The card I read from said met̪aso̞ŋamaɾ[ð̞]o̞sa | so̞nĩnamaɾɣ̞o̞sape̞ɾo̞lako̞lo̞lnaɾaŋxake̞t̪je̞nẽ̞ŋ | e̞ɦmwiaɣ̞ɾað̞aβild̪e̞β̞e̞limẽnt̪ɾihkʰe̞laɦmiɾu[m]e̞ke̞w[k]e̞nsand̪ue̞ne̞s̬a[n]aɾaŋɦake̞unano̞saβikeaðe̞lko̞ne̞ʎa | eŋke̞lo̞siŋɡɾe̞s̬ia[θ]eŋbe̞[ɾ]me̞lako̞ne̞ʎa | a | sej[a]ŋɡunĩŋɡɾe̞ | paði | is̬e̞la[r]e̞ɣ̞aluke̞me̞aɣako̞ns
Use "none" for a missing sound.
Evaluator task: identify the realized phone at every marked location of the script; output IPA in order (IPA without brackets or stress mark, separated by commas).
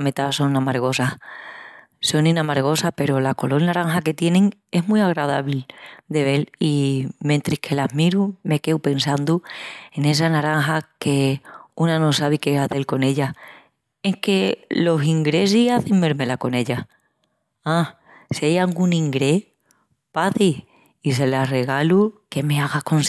ɣ̞, m, p, n, θ, ɾ, a, r